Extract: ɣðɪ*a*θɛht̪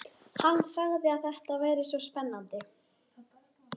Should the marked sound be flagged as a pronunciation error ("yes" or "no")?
no